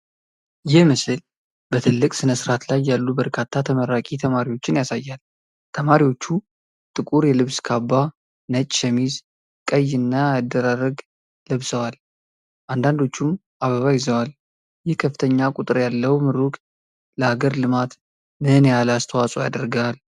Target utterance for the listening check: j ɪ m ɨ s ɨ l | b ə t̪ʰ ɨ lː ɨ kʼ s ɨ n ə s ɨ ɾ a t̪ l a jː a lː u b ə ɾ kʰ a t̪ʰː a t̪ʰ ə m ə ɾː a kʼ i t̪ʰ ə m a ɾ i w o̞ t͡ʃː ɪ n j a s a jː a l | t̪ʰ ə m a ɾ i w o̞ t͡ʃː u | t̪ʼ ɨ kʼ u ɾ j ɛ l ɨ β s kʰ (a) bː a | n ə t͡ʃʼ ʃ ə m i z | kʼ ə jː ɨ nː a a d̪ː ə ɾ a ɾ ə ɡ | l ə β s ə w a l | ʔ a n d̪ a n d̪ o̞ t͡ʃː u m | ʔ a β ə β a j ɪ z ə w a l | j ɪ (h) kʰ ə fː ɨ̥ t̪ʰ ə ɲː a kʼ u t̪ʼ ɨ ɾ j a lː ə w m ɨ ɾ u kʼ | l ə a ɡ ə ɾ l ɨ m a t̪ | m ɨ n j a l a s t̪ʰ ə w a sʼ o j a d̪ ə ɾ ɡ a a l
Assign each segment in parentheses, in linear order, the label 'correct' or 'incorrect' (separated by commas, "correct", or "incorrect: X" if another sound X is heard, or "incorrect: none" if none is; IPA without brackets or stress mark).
correct, correct